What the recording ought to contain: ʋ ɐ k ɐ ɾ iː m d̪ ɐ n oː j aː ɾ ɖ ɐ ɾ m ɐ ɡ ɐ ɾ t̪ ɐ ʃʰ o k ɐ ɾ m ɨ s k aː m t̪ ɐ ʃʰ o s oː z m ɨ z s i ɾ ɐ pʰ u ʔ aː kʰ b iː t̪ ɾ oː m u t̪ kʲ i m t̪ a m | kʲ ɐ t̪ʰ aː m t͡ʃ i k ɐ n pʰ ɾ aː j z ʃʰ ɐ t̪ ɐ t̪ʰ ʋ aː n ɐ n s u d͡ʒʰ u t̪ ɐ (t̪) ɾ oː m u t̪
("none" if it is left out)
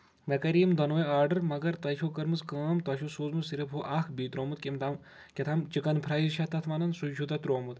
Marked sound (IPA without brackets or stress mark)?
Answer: t̪